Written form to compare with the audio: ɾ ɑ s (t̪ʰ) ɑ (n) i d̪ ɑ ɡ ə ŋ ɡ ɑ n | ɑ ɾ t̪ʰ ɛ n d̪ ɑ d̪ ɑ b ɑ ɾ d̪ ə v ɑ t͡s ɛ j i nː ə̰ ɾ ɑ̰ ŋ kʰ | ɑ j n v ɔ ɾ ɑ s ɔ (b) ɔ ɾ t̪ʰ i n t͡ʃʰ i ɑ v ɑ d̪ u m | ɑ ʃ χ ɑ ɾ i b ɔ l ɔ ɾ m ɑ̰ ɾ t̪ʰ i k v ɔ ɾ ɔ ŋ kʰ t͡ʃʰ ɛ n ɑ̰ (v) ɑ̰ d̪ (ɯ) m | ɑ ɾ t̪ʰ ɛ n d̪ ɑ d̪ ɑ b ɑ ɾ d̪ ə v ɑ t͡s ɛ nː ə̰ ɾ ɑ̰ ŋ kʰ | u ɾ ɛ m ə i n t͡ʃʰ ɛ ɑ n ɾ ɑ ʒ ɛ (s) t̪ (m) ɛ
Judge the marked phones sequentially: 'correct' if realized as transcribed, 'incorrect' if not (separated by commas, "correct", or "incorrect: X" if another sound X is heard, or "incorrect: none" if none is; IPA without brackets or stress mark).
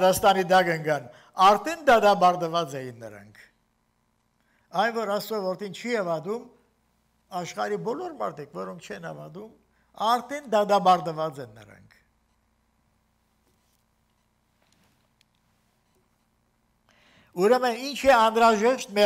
incorrect: t̪, correct, incorrect: v, correct, incorrect: u, incorrect: ʃ, correct